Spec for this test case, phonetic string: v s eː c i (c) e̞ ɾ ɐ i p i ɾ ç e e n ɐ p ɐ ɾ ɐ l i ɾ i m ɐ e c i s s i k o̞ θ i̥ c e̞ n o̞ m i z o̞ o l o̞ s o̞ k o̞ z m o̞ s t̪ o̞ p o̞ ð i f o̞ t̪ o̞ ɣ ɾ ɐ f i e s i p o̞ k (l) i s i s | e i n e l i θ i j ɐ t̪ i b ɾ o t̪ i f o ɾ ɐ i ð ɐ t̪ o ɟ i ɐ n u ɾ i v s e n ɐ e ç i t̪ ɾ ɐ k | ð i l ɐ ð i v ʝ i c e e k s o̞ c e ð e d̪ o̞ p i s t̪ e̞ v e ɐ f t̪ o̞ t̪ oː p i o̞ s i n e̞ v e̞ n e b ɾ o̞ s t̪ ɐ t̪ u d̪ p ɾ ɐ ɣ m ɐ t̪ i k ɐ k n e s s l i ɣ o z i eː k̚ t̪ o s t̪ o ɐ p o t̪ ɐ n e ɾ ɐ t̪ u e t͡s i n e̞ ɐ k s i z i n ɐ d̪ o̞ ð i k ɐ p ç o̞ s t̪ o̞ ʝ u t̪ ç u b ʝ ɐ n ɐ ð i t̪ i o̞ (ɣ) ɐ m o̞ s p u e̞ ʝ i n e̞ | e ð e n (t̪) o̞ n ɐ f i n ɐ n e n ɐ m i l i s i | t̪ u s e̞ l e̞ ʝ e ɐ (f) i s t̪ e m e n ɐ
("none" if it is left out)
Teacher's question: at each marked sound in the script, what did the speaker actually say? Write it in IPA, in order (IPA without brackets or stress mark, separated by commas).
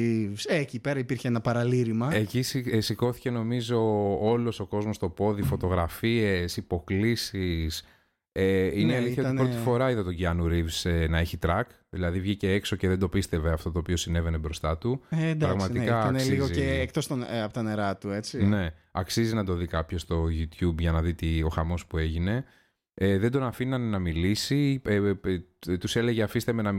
p, l, x, d̪, f